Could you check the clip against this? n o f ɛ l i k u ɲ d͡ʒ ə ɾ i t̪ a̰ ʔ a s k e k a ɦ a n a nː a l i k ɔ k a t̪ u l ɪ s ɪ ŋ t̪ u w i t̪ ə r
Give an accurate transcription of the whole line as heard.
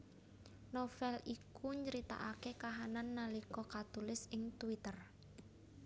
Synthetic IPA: n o f ɛ l i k u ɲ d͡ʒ ə ɾ i t̪ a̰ ʔ a k e k a ɦ a n a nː a l i k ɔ k a t̪ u l ɪ s ɪ ŋ t̪ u w i t̪ ə r